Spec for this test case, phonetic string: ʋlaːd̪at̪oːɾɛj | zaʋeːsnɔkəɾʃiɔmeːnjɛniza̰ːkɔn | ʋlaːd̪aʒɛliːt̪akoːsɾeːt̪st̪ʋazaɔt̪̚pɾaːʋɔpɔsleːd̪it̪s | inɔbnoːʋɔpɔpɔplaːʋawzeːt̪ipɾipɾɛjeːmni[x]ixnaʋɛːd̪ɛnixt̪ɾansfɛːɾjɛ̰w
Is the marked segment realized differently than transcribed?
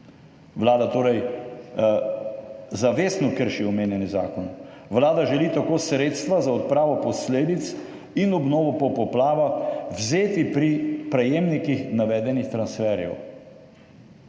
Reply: yes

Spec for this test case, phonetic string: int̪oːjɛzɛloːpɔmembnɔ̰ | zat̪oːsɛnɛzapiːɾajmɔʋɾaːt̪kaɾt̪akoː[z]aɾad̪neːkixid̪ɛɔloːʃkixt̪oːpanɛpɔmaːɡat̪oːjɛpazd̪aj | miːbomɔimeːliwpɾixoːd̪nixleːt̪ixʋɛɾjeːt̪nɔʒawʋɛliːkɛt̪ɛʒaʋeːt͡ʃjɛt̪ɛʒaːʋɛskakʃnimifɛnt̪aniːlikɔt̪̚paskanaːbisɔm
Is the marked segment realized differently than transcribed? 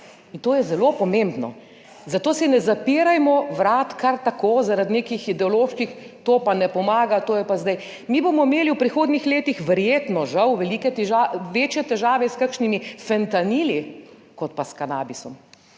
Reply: no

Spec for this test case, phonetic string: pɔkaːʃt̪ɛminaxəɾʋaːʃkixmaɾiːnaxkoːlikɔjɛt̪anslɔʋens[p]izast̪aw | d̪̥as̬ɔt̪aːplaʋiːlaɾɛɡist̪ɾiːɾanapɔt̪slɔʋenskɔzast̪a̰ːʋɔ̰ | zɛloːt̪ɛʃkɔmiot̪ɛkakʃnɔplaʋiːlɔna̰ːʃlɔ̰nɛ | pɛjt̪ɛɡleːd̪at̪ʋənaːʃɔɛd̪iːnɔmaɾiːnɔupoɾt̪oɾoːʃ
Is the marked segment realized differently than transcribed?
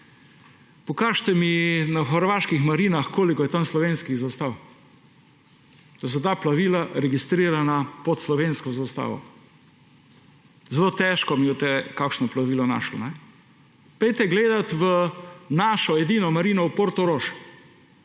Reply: yes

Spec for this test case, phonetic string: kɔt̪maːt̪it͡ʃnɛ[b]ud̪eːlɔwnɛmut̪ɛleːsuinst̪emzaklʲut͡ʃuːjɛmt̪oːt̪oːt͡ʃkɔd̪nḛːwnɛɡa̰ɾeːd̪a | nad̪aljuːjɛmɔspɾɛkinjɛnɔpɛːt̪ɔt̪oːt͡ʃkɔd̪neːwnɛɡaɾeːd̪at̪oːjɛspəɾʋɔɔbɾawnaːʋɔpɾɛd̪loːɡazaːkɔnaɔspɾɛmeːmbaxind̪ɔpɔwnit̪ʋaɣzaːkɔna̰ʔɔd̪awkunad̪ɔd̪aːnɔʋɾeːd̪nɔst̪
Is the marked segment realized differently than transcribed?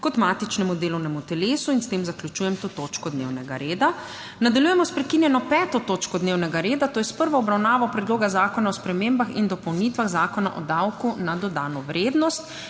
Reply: yes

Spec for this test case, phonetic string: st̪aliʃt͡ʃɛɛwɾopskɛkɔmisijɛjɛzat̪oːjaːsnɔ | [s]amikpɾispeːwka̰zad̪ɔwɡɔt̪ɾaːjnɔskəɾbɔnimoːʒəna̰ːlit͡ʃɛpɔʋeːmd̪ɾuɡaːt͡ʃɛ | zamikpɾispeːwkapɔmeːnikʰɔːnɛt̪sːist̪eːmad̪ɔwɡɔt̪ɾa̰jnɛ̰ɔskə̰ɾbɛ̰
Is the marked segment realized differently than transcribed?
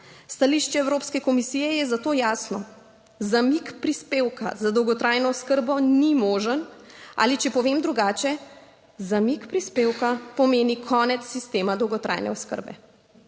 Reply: yes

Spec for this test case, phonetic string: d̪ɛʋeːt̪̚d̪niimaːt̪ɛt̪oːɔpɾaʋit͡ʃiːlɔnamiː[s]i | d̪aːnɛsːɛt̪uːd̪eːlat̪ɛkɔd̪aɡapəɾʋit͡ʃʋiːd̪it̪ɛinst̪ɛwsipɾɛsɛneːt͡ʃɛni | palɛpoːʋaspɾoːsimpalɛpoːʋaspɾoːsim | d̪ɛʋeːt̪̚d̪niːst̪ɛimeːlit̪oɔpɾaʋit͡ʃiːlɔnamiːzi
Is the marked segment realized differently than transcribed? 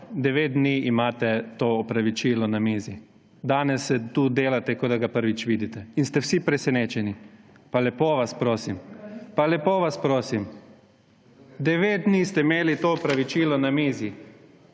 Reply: yes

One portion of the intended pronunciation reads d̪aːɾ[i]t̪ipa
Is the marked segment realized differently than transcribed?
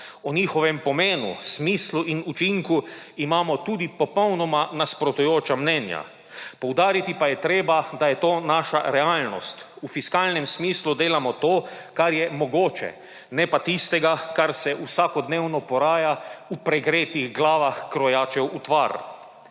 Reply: no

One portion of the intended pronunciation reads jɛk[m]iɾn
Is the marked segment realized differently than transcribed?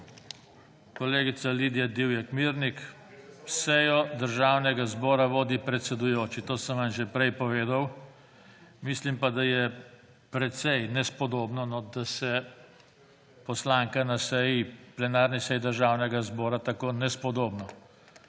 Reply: no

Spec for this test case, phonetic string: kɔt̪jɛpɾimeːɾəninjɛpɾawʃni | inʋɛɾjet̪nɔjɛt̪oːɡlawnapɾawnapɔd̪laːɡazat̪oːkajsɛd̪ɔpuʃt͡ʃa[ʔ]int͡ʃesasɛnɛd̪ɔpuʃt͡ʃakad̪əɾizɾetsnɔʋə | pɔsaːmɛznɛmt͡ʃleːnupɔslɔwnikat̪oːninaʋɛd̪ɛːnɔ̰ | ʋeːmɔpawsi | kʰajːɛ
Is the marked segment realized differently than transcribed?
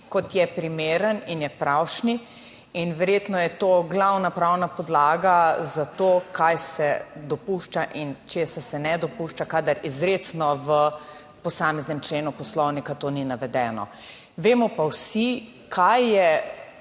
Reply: no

